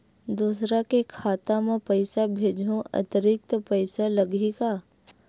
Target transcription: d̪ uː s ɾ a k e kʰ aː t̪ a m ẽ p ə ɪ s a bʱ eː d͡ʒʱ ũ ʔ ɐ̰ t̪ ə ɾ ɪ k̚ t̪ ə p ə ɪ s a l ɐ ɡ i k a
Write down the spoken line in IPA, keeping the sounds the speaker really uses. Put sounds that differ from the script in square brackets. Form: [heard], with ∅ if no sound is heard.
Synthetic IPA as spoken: d̪ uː s ɾ a k e kʰ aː t̪ a m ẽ p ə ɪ s a bʱ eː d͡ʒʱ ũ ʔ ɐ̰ t̪ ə ɾ ɪ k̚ t̪ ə p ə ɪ s a l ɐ ɡ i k a